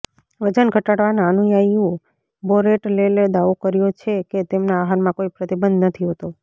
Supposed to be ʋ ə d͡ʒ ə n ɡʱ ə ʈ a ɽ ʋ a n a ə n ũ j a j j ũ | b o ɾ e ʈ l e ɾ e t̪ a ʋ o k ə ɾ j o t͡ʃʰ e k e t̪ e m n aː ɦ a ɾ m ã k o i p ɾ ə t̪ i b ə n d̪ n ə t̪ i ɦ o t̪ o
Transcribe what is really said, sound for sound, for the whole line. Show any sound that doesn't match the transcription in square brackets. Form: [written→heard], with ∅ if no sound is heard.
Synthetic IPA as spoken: ʋ ə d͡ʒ ə n ɡʱ ə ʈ a ɽ ʋ a n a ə n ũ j a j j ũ | b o ɾ e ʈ l e [ɾ→l] e [t̪→d̪] a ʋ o k ə ɾ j o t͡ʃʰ e k e t̪ e m n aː ɦ a ɾ m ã k o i p ɾ ə t̪ i b ə n d̪ n ə [t̪→t̪ʰ] i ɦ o t̪ o